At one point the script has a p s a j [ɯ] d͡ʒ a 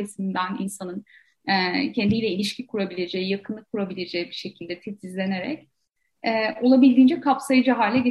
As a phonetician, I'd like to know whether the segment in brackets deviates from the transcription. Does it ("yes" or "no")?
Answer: no